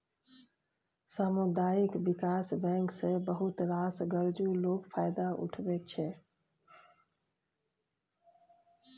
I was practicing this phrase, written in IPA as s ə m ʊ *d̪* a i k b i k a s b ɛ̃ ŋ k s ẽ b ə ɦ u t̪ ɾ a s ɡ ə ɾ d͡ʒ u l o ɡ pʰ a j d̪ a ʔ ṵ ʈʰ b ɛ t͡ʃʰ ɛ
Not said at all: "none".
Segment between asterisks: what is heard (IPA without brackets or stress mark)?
d̪